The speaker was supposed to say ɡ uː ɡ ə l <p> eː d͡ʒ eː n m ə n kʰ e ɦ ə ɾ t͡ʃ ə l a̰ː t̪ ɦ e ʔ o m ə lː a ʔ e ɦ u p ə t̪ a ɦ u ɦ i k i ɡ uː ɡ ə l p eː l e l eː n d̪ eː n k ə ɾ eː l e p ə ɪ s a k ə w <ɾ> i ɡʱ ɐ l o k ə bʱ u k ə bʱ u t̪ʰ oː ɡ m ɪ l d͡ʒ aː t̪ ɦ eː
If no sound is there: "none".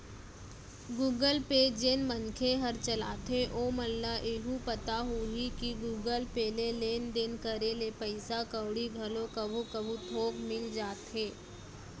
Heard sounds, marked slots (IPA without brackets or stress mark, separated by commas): p, ɽ